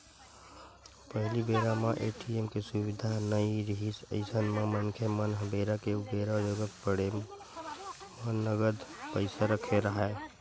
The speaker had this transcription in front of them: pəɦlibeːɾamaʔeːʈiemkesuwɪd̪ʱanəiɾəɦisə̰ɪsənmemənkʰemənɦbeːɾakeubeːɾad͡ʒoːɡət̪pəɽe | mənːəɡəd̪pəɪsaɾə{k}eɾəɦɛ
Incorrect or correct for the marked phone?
incorrect: kʰ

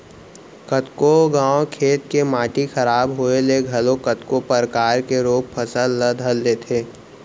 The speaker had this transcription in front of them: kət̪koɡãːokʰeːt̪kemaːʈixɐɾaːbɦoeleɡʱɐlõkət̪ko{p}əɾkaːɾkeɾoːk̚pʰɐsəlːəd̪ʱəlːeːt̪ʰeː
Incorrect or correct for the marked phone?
correct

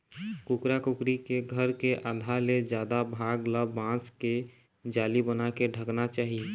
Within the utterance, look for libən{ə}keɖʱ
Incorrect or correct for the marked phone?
incorrect: a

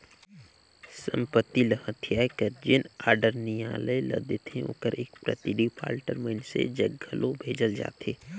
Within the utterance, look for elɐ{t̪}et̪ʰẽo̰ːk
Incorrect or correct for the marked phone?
incorrect: d̪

